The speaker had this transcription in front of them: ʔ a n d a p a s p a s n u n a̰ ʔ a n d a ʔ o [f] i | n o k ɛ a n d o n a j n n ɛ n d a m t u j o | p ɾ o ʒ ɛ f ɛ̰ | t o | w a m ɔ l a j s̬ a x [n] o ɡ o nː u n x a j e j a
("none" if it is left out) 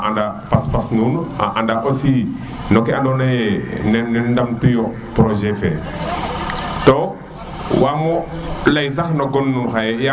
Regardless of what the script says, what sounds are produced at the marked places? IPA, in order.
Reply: s, n

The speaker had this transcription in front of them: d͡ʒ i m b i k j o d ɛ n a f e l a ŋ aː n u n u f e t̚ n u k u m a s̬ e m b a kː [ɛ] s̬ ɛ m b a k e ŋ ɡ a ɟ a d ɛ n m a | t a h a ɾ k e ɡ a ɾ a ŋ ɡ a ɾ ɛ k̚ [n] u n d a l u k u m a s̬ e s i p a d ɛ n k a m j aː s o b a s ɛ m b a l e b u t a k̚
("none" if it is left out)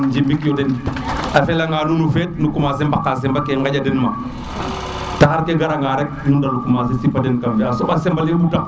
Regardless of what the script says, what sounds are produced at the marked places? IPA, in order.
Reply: a, n

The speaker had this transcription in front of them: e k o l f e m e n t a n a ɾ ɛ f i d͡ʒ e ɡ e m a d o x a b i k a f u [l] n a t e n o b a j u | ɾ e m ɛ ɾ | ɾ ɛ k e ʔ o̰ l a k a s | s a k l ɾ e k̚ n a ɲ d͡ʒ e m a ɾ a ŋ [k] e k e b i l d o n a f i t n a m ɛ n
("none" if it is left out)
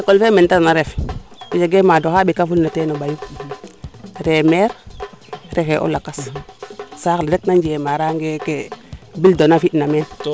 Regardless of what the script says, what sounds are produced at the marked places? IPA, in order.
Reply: l, ɡ

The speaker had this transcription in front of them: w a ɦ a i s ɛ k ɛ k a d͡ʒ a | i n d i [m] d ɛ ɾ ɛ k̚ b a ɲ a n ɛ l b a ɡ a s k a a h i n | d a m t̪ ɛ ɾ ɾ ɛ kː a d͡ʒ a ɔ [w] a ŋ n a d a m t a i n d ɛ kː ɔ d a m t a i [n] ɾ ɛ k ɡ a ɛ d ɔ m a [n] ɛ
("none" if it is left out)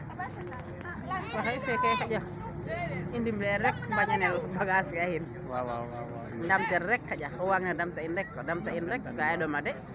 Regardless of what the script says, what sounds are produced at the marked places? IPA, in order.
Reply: m, w, n, d

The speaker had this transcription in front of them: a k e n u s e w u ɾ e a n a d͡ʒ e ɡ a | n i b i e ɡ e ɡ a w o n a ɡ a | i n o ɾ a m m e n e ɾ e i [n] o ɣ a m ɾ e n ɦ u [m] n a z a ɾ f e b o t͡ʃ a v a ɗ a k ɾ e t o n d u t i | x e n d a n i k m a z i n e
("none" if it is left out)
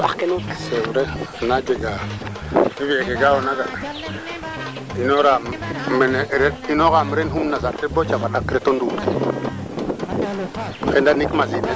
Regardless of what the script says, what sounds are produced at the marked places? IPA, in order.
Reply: n, m

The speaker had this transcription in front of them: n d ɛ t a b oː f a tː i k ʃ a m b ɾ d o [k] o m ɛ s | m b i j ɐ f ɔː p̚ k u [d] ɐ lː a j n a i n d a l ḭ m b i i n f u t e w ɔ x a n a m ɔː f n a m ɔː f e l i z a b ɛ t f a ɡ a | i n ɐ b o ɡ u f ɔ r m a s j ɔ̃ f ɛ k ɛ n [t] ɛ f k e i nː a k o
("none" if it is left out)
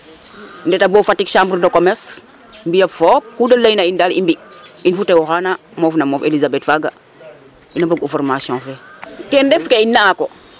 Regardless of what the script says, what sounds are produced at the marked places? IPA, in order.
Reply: k, d, d

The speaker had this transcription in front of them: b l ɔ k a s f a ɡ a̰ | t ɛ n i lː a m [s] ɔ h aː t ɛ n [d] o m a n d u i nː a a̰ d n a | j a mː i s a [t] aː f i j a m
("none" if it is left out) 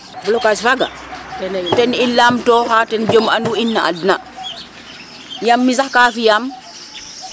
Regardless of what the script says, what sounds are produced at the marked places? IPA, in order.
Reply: t, d͡ʒ, k

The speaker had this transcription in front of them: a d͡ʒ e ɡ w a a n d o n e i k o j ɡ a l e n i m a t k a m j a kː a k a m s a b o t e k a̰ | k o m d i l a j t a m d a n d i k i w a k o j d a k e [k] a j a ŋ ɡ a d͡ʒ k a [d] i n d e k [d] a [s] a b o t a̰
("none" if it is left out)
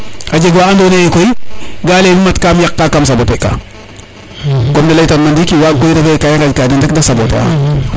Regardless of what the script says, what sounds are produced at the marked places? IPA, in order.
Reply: k, d, d, s

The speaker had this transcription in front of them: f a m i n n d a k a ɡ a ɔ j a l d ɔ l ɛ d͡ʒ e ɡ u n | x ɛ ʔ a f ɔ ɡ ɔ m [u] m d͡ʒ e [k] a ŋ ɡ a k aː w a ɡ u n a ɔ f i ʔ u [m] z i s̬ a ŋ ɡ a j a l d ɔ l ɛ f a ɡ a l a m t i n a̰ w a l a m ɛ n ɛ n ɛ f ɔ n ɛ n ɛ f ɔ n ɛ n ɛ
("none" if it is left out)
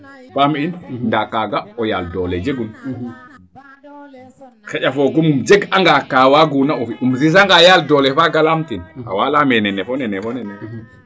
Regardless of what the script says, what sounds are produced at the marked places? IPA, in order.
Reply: u, ɡ, m

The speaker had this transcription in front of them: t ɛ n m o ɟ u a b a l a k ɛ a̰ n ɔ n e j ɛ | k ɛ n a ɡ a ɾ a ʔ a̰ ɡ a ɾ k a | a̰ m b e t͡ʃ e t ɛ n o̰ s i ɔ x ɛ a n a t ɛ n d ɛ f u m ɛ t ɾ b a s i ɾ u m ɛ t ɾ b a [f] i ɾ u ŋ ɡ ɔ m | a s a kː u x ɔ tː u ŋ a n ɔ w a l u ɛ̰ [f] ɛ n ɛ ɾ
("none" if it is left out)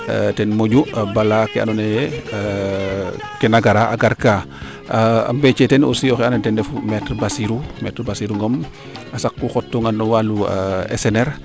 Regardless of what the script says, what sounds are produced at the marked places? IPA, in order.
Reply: s, s

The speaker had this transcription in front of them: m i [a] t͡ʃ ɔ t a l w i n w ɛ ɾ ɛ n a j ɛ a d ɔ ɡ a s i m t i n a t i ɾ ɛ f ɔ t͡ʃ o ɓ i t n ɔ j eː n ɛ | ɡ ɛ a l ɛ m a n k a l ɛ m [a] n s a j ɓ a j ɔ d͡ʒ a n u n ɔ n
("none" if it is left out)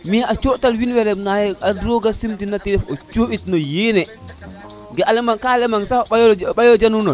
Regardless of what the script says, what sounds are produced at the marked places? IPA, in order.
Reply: a, a

